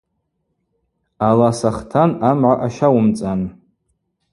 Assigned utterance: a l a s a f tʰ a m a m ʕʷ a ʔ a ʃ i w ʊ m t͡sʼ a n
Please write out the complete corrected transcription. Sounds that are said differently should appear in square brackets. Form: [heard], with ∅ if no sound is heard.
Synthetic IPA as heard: a l a s a [χ] tʰ a [n] a m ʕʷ a ʔ a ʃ [a] w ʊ m t͡sʼ a n